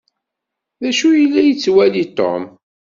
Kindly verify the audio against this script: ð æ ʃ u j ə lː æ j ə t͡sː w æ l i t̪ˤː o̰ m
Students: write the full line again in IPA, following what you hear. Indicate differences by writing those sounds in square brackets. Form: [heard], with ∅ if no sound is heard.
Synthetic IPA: ð æ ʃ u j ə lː æ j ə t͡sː w æ l i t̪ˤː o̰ m